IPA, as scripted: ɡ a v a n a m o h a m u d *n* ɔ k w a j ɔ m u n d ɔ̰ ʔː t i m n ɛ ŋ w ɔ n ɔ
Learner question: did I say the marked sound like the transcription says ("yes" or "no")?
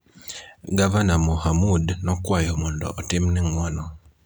yes